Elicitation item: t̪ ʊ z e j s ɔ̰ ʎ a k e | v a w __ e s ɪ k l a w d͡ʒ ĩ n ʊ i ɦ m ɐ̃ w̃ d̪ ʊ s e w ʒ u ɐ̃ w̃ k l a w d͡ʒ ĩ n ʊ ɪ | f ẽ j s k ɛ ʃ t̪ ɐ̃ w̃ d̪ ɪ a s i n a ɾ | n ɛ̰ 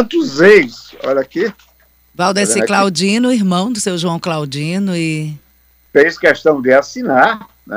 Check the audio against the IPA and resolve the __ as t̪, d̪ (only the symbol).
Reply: d̪